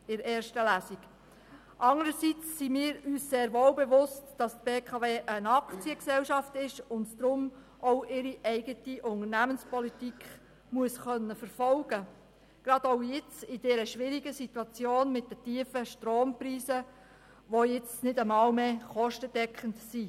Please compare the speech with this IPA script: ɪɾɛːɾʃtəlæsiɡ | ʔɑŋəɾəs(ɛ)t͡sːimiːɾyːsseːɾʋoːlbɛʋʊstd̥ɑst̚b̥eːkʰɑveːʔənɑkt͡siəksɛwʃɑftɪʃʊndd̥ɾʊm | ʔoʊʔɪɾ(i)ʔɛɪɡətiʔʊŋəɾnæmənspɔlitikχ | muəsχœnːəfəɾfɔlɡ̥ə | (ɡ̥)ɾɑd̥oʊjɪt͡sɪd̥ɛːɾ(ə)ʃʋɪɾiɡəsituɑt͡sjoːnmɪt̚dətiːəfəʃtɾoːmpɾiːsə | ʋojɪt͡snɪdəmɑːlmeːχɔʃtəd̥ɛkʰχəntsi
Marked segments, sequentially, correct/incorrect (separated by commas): incorrect, correct, correct, correct